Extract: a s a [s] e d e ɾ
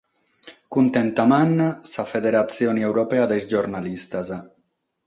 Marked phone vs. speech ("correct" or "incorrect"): incorrect